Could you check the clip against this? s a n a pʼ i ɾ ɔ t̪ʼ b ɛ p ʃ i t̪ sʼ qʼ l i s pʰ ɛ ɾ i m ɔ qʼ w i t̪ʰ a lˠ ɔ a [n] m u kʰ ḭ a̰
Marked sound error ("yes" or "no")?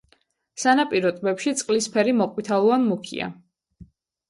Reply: no